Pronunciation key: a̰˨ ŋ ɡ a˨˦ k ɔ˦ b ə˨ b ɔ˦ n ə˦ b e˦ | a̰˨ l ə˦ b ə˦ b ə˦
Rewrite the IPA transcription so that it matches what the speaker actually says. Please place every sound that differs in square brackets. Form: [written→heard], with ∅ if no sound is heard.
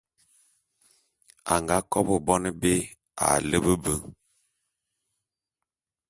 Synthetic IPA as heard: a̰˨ ŋ ɡ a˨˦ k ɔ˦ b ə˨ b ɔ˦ n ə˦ b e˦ | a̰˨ l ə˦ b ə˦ b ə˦